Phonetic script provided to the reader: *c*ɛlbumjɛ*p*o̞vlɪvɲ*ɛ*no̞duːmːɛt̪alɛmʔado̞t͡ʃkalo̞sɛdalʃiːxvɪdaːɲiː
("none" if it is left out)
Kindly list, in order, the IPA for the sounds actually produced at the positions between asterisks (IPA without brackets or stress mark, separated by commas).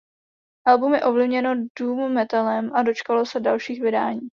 ʔ, ʔ, ɛ